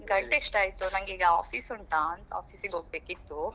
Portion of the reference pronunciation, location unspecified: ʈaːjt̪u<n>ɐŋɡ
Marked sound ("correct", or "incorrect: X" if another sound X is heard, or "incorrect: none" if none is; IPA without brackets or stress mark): correct